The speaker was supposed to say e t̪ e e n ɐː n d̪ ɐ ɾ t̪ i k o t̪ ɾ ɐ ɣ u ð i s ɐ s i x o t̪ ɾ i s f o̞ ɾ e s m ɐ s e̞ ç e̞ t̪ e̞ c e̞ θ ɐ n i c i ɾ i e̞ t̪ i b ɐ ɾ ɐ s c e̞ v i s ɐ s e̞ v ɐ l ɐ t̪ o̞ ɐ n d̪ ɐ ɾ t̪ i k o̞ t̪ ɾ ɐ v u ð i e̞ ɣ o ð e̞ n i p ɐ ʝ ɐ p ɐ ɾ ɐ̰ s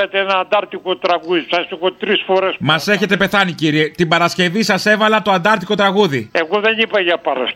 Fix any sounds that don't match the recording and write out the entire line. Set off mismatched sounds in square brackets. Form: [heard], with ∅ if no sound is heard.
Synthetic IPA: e t̪ e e n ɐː n d̪ ɐ ɾ t̪ i k o t̪ ɾ ɐ ɣ u ð i s ɐ s i x o t̪ ɾ i s f o̞ ɾ e s m ɐ s e̞ ç e̞ t̪ e̞ [p] e̞ θ ɐ n i c i ɾ i e̞ t̪ i b ɐ ɾ ɐ s c e̞ v i s ɐ s e̞ v ɐ l ɐ t̪ o̞ ɐ n d̪ ɐ ɾ t̪ i k o̞ t̪ ɾ ɐ [ɣ] u ð i e̞ ɣ o ð e̞ n i p ɐ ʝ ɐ p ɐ ɾ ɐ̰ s